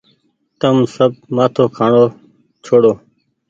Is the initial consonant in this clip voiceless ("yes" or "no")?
yes